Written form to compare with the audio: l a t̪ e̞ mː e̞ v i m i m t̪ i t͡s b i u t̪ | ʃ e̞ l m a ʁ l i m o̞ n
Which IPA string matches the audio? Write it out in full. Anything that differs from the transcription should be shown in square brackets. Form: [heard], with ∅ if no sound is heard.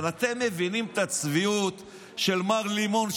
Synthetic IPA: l a t̪ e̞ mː e̞ v i [n] i m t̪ [a] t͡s [v] i u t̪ | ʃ e̞ l m a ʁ l i m o̞ n